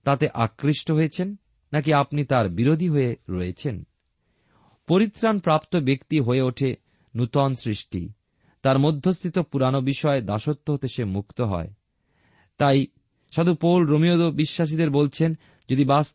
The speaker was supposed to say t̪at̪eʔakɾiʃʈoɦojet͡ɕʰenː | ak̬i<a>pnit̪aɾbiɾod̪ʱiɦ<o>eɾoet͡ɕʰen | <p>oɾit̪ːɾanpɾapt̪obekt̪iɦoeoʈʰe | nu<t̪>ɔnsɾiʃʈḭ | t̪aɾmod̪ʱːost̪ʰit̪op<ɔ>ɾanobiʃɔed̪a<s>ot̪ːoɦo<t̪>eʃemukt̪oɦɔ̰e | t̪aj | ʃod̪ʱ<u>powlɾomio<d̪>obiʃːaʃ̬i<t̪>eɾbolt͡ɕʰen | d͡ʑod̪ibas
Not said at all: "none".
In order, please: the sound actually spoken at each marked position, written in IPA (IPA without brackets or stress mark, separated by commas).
a, o, p, t̪, u, ʃ, t̪, u, d̪, d̪